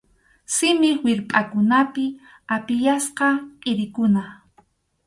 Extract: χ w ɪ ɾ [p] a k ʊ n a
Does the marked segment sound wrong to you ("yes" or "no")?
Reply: yes